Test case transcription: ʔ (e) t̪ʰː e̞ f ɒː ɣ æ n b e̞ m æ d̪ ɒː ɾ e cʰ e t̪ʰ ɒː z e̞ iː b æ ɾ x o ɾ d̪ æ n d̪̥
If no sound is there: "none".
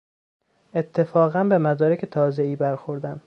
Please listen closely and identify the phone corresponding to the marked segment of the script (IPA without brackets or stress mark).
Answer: e